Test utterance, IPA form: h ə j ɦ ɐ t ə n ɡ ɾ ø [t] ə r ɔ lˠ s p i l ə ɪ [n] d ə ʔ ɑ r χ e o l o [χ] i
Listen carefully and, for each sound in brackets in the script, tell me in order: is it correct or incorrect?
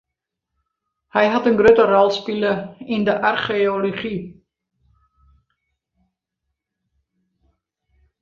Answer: correct, correct, correct

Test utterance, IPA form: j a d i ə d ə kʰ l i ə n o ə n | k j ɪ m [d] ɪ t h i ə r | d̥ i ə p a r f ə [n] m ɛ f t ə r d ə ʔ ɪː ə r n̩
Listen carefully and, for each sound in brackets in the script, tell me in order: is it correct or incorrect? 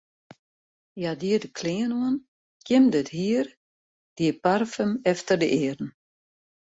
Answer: correct, incorrect

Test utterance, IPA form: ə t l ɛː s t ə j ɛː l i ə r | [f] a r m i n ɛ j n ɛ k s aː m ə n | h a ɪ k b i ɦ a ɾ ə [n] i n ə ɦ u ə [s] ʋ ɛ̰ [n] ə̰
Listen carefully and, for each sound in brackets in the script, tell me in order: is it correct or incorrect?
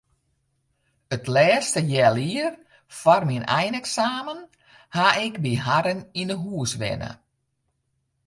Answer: correct, correct, correct, correct

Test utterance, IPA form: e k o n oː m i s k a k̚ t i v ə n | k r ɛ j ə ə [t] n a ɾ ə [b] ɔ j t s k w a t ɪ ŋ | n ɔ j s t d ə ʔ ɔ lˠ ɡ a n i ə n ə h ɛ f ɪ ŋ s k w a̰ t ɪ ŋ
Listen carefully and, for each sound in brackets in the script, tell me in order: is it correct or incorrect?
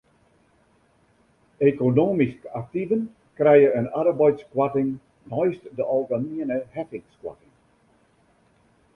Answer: incorrect, correct

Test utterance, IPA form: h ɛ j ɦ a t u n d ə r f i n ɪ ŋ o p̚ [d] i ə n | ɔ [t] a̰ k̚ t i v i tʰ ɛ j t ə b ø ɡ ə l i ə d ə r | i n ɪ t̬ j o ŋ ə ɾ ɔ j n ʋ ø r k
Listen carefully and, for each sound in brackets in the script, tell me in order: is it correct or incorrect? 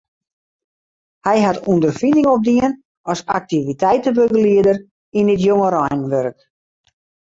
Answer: correct, incorrect

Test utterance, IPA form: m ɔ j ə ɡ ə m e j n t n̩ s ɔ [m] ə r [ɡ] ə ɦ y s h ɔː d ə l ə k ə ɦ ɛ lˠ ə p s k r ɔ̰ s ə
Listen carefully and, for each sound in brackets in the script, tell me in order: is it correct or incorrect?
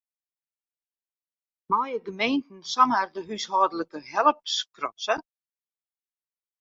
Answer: correct, incorrect

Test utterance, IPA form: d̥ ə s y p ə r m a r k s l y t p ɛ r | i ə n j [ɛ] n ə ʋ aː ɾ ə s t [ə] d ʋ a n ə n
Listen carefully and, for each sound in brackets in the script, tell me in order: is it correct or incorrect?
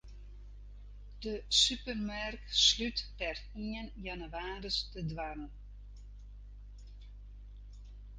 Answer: incorrect, correct

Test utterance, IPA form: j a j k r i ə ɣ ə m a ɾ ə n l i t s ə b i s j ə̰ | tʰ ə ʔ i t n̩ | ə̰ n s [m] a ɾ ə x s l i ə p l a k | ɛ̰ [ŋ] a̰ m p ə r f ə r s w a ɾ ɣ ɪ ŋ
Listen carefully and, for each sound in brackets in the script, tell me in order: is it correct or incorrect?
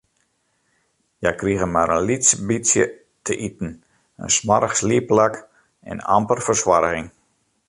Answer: correct, incorrect

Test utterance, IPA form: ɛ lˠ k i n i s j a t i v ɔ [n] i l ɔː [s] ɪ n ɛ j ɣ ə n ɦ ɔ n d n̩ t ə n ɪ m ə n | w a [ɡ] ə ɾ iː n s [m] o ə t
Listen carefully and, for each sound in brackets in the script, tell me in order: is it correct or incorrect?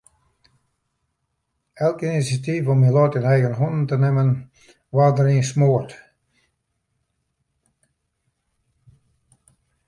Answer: incorrect, incorrect, incorrect, correct

